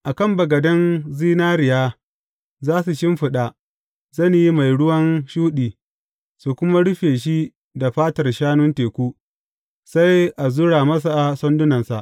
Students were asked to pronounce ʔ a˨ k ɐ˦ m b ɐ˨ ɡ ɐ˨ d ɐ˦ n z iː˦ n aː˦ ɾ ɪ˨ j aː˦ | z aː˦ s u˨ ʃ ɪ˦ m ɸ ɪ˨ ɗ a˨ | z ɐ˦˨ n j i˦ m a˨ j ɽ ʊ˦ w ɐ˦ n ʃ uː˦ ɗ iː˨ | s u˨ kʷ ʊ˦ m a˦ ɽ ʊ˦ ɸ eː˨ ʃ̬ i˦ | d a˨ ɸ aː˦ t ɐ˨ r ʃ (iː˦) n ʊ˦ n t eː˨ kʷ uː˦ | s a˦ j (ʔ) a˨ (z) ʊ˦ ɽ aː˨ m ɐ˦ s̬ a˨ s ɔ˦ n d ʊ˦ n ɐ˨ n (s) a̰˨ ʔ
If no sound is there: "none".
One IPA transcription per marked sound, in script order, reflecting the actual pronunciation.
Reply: aː˦, ʔ, z, s

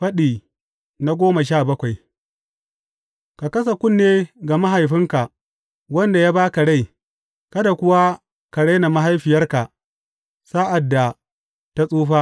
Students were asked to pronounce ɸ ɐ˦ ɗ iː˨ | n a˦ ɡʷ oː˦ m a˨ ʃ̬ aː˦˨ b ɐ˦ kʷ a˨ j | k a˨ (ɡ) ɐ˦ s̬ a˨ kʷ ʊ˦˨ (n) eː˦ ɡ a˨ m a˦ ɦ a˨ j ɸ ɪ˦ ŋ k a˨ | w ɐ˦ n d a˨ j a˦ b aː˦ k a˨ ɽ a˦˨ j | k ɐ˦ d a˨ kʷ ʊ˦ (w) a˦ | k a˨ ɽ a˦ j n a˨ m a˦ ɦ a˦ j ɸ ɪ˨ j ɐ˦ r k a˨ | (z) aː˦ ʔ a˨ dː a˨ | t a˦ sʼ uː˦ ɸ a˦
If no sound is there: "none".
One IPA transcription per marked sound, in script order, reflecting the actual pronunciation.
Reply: k, nː, w, s

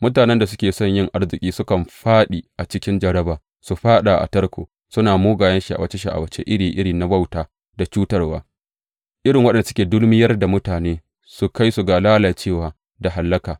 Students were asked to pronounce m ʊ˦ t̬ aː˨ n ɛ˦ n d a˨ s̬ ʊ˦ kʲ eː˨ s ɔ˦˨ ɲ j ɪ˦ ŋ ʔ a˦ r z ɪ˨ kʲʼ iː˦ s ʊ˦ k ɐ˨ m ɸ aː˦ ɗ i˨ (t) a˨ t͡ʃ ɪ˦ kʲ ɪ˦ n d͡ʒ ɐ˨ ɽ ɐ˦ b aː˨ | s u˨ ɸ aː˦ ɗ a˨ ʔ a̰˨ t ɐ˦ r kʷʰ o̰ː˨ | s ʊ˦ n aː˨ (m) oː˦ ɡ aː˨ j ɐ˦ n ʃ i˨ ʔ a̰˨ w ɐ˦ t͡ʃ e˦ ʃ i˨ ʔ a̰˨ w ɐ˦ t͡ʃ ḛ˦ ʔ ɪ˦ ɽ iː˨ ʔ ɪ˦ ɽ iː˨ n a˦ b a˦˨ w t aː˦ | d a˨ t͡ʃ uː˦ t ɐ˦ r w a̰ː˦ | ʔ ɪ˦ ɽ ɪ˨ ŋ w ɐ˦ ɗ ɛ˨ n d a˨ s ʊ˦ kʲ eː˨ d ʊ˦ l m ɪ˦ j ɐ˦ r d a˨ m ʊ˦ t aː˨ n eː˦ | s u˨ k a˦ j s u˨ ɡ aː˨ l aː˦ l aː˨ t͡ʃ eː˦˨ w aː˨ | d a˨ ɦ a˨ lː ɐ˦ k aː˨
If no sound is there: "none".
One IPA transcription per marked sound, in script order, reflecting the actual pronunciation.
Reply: ʔ, m

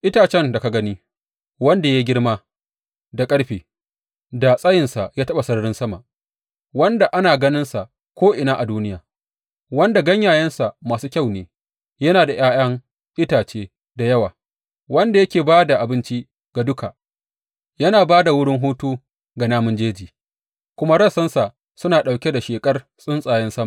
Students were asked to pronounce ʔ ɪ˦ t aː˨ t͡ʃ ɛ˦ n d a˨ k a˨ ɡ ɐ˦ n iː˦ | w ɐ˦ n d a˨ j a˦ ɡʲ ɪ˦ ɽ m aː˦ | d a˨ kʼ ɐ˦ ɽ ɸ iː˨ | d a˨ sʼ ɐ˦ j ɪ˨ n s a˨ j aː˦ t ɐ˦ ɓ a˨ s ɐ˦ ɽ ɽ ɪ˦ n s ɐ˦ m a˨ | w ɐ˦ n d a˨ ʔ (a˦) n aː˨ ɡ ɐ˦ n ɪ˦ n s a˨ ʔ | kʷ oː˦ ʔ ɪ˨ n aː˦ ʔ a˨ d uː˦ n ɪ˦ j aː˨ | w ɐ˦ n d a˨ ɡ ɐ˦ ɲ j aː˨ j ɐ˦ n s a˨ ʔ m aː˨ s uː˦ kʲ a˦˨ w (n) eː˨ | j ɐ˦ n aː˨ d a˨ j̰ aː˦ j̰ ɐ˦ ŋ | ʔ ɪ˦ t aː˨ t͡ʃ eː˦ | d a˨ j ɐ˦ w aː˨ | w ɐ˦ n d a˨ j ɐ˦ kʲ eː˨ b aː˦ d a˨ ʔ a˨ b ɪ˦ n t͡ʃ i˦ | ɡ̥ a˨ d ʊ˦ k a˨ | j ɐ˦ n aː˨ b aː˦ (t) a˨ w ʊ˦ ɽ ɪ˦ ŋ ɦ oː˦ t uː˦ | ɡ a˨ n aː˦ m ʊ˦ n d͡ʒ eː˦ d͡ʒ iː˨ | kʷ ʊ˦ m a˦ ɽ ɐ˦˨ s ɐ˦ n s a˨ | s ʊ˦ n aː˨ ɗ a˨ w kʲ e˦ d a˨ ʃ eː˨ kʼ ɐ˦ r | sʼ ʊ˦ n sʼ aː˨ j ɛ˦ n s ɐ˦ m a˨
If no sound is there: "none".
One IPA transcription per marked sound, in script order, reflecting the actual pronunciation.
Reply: a˦, n, d

